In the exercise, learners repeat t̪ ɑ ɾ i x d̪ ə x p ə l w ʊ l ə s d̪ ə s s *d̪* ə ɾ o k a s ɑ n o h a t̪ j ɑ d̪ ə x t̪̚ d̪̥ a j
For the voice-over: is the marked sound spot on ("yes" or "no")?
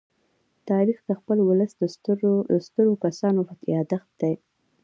no